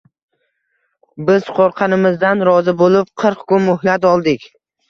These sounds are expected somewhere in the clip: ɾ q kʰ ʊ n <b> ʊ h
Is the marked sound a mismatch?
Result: yes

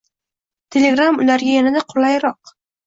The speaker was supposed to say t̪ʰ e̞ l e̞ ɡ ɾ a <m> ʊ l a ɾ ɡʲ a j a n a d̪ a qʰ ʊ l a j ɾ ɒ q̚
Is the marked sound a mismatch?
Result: no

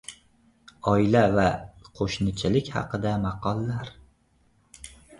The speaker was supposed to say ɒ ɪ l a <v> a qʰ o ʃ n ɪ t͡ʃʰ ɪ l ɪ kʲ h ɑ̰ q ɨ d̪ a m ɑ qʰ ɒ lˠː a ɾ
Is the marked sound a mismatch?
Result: no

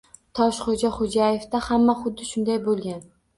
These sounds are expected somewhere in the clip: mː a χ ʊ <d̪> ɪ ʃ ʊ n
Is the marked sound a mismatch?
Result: yes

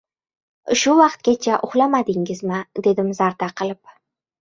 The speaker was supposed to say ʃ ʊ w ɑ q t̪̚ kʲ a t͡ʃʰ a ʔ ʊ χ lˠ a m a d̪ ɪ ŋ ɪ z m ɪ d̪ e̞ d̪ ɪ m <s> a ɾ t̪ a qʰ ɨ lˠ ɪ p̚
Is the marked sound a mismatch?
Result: yes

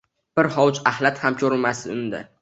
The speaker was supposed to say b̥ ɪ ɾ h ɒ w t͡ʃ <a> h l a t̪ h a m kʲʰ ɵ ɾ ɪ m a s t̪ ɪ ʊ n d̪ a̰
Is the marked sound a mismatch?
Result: no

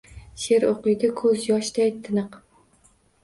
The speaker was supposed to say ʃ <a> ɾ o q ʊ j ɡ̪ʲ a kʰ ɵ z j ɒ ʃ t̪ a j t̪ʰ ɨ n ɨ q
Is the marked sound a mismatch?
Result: yes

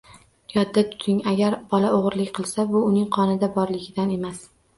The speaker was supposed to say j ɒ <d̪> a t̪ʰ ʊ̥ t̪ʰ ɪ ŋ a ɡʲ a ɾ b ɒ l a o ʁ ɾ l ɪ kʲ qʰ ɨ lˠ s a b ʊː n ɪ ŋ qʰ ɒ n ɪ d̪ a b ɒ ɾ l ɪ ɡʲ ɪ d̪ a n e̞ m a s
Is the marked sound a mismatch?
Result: yes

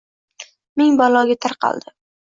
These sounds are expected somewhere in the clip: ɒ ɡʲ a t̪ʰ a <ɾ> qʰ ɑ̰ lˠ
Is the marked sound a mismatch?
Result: no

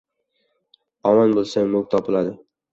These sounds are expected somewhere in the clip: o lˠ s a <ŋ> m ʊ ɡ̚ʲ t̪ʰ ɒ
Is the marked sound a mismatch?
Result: no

